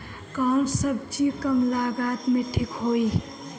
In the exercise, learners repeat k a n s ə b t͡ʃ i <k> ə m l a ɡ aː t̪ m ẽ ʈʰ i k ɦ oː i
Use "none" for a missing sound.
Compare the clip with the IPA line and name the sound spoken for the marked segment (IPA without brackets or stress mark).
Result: k